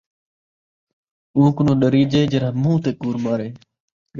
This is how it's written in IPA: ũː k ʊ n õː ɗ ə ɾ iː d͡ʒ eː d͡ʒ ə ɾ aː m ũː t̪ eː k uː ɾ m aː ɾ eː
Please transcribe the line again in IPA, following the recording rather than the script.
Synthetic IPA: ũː k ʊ n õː ɗ ə ɾ iː d͡ʒ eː d͡ʒ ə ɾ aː m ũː t̪ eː k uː ɾ m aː ɾ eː